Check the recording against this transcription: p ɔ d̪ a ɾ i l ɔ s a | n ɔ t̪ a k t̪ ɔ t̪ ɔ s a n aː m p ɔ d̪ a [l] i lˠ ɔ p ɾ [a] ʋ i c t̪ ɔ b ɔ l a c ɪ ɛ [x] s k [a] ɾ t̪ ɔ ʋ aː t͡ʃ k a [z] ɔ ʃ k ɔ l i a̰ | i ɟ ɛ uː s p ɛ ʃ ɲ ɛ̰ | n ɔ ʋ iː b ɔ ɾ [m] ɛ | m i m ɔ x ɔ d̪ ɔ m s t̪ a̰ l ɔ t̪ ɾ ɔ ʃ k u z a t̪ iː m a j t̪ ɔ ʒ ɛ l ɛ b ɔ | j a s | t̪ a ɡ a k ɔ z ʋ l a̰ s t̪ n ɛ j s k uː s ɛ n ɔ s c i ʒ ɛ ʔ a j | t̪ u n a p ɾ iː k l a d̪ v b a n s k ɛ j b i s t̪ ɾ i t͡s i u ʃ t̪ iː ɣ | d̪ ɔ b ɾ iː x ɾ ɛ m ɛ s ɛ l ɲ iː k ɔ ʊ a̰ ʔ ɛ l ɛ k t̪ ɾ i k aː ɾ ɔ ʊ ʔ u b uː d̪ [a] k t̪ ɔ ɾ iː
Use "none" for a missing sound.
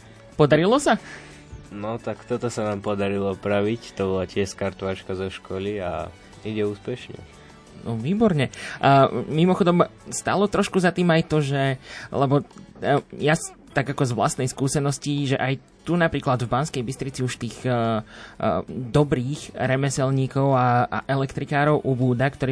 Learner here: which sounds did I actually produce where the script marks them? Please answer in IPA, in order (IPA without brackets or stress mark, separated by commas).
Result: ɾ, a, ʃ, a, z, ɲ, a